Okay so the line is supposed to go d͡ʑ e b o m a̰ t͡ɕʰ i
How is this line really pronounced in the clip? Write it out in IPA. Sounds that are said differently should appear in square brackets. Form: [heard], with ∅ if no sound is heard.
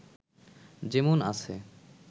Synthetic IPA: d͡ʑ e [m] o [n] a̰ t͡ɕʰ [e]